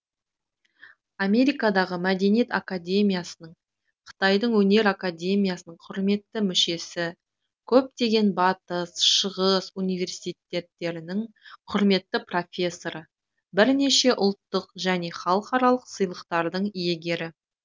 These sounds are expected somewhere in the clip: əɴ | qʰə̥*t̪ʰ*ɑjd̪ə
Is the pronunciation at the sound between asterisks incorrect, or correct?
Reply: incorrect